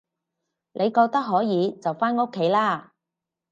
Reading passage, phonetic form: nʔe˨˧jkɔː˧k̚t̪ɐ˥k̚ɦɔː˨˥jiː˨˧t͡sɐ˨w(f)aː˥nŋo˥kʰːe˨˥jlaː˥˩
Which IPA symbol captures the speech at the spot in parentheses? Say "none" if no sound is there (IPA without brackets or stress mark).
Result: f